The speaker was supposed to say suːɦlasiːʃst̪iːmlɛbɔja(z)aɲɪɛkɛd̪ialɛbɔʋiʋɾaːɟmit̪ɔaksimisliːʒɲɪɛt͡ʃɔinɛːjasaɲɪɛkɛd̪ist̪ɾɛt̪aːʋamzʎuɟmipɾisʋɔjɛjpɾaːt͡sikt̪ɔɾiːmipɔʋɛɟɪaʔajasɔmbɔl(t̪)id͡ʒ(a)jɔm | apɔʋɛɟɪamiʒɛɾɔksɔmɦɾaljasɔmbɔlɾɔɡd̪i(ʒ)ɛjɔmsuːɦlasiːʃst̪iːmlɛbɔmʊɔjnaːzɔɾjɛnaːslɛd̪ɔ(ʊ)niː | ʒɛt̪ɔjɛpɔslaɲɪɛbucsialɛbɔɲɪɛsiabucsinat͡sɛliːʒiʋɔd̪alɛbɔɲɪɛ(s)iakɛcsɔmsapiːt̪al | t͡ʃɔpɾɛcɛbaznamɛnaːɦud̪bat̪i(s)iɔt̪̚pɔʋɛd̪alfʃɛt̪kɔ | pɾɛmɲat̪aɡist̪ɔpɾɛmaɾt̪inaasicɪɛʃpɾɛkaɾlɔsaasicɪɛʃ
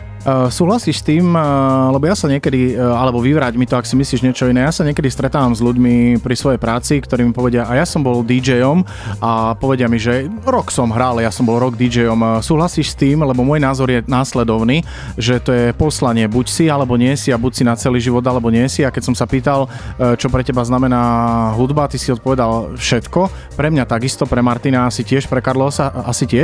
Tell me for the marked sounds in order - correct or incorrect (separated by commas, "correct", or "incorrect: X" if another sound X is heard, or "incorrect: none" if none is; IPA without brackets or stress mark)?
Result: incorrect: s, incorrect: d̪, incorrect: ɛ, incorrect: d͡ʒ, correct, correct, correct